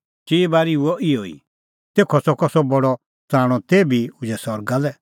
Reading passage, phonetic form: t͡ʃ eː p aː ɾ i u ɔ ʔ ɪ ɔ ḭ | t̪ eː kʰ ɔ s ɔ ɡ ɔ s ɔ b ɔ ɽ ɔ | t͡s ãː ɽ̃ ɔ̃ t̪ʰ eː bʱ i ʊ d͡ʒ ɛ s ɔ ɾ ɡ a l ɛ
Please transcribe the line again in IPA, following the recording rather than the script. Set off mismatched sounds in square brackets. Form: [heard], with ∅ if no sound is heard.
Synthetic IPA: t͡ʃ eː [b] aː ɾ i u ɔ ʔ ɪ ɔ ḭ | t̪ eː kʰ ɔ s ɔ [k] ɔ s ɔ b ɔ ɽ ɔ | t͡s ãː ɽ̃ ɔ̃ [t̪] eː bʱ i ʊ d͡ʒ ɛ s ɔ ɾ ɡ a l ɛ